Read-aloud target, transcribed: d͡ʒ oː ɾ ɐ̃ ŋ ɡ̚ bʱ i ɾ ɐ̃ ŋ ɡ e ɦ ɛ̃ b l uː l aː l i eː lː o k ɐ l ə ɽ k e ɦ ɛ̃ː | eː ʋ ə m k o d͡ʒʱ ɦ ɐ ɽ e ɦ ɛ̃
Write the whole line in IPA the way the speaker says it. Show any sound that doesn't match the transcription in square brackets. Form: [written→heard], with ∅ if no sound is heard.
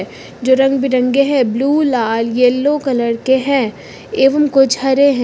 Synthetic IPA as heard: d͡ʒ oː ɾ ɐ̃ ŋ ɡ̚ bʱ i ɾ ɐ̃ ŋ ɡ e ɦ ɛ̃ b l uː l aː l [i→j] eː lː o k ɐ l ə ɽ k e ɦ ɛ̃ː | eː ʋ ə m k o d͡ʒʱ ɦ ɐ [ɽ→ɾ] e ɦ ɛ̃